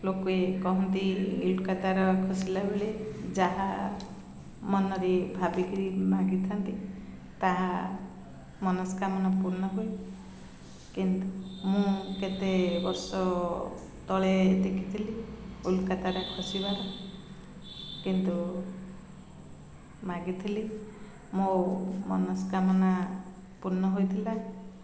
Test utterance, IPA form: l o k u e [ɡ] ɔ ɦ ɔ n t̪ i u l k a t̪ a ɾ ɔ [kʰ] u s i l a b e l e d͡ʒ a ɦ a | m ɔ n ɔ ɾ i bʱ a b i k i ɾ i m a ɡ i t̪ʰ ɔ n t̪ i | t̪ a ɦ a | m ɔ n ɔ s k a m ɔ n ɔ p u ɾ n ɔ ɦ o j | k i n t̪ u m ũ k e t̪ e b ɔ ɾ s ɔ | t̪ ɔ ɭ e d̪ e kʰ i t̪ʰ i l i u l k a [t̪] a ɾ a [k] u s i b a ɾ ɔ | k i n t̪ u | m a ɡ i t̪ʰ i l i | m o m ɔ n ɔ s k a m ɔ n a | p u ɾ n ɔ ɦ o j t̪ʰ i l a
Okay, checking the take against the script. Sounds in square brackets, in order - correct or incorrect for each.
incorrect: k, correct, correct, incorrect: kʰ

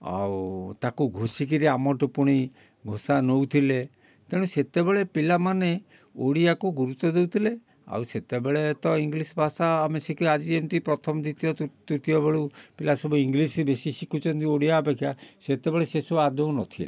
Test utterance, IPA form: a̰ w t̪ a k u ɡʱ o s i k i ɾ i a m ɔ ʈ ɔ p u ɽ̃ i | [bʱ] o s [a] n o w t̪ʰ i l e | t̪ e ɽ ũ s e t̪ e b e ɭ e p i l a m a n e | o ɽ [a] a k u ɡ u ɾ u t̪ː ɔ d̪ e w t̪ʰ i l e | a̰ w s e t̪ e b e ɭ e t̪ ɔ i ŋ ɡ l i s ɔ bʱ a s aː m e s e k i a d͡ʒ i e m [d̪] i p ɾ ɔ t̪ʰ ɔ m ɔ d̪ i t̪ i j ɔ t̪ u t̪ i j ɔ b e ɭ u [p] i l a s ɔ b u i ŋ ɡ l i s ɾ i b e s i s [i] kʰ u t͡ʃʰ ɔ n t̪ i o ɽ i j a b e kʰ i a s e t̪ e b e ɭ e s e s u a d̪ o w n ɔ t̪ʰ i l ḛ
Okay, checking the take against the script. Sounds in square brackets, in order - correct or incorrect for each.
incorrect: ɡʱ, correct, incorrect: i, incorrect: t̪, correct, correct

